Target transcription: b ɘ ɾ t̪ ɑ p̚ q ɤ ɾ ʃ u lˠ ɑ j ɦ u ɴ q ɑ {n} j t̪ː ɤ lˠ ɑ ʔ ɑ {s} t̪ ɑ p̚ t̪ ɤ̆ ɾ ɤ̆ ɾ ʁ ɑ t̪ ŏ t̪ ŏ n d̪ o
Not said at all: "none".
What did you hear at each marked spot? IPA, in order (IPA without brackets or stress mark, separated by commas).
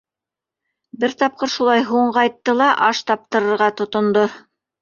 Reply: none, ʃ